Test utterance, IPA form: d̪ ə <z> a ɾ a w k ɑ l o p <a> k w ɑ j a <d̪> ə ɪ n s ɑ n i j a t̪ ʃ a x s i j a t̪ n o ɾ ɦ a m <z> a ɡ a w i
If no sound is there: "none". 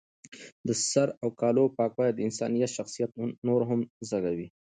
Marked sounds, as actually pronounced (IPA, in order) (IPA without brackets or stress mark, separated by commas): s, ɑ, d̪, z